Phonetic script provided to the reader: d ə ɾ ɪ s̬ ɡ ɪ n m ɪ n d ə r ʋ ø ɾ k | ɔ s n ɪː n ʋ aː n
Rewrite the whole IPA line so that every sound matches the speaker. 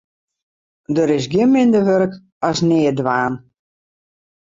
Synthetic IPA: d ə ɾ ɪ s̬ ɡ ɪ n m ɪ n d ə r ʋ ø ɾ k | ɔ s n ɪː d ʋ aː n